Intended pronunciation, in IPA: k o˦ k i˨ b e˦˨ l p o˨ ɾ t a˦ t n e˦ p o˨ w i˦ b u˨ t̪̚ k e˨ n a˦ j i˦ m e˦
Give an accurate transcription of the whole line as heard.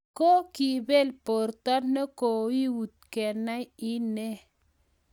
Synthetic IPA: k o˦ k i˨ b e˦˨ l p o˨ ɾ t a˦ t n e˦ k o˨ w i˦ w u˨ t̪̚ k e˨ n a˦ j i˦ n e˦